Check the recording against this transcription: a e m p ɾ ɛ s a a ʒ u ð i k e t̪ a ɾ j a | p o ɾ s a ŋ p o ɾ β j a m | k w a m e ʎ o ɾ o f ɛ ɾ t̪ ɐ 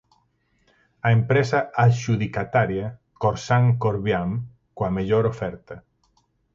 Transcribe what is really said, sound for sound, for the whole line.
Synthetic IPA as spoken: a e m p ɾ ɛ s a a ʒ u ð i k a t̪ a ɾ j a | k o ɾ s a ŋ k o ɾ β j a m | k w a m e ʎ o ɾ o f ɛ ɾ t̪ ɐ